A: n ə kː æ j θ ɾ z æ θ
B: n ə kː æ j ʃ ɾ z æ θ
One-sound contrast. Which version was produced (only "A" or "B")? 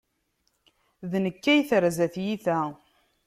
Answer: A